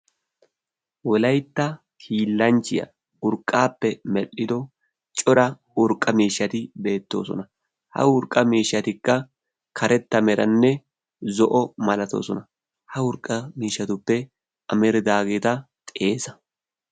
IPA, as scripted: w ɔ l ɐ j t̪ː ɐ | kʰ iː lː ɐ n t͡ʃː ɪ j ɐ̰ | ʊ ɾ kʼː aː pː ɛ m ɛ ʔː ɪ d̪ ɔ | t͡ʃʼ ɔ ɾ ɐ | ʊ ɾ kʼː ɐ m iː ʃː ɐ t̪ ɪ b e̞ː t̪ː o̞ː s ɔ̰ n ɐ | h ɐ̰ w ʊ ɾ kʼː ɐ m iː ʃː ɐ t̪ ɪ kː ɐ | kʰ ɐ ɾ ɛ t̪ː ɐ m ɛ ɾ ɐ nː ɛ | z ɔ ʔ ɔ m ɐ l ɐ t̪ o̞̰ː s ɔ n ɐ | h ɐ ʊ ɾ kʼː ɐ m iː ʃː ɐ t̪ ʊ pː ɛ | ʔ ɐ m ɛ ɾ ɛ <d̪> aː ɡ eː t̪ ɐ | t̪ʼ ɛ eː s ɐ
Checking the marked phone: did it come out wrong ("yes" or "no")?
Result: no